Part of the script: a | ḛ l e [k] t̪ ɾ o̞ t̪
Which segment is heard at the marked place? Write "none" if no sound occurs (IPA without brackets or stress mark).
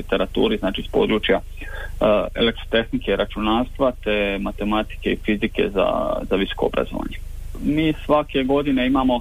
k